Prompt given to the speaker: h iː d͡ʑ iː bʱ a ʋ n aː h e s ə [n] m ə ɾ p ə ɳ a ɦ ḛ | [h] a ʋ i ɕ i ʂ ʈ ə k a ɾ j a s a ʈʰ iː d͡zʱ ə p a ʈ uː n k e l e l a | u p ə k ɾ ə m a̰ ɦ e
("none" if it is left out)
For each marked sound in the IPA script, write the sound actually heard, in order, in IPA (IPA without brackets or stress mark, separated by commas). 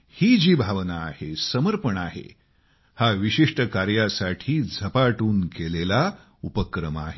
none, h